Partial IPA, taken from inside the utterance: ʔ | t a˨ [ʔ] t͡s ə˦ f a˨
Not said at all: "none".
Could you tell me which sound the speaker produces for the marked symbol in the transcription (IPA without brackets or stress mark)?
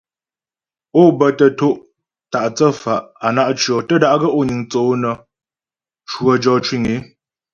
ʔ